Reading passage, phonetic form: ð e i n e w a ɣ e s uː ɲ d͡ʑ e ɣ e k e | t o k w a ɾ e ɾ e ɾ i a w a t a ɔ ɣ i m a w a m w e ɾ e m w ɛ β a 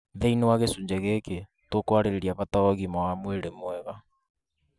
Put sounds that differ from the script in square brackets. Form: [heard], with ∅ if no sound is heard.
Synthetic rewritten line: ð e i n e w a ɣ e s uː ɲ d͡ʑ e ɣ e k e | t o k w a ɾ e ɾ e ɾ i a [β] a t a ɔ ɣ i m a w a m w e ɾ e m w ɛ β a

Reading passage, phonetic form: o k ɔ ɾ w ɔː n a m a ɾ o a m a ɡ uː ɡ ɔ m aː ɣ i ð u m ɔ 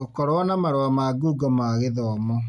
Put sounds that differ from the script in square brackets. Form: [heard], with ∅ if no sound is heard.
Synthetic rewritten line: o k ɔ ɾ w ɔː n a m a ɾ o a m a ɡ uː ɡ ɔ m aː ɣ [e] ð [ɔ] m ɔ

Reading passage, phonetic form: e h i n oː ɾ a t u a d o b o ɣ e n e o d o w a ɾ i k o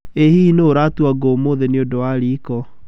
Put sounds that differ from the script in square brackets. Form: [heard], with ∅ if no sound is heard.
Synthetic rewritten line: e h i n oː ɾ a t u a [ɡ] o [m] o [ð] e n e o d o w a ɾ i k [ɔ]

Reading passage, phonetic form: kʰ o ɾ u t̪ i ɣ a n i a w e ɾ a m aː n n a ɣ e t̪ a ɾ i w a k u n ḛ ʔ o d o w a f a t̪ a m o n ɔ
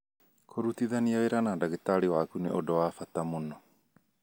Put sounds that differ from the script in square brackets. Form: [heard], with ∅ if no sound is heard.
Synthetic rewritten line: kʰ o ɾ u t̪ i [ð] a n i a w e ɾ a [n] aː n [d] a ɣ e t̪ a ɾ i w a k u n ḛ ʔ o d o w a f a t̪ a m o n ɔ

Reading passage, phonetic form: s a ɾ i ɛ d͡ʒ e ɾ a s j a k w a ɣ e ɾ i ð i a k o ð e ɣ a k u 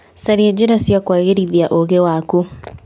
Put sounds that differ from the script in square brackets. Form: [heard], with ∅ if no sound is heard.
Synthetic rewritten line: s a ɾ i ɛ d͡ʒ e ɾ a s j a k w a ɣ e ɾ i ð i a [ʔ] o [ɣ] e [w] a k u

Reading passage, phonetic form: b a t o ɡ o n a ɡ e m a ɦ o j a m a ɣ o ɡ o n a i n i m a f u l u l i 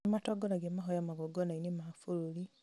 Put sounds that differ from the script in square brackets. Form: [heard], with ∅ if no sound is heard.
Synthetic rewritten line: [m] a t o ɡ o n a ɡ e m a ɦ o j a m a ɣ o ɡ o n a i n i m a f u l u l i

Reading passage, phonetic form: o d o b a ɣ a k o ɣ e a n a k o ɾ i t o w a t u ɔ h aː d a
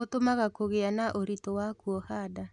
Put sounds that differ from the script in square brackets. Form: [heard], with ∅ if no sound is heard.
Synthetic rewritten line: o [t] o [m] a ɣ a k o ɣ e a n a [ʔ] o ɾ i t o w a [k] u ɔ h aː d a

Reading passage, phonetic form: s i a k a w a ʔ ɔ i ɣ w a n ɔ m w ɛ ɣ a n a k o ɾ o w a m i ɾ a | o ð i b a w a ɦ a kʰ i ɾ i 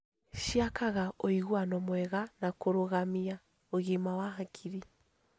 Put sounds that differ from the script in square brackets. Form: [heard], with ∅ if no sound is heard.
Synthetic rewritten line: [ʃ] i a k a [ɣ] a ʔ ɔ i ɣ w a n ɔ m w ɛ ɣ a n a k o ɾ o [ɣ] a m i [∅] a | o [ɣ] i [m] a w a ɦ a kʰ i ɾ i

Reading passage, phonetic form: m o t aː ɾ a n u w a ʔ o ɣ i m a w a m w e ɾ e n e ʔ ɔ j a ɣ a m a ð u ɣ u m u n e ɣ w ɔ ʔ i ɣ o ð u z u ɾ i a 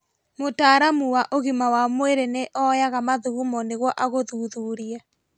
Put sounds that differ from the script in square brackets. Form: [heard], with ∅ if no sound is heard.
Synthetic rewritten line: m o t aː ɾ a [m] u w a ʔ o ɣ i m a w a m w e ɾ e n e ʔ ɔ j a ɣ a m a ð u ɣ u m [ɔ] n e ɣ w ɔ ʔ [a] ɣ o ð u [ð] u ɾ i a

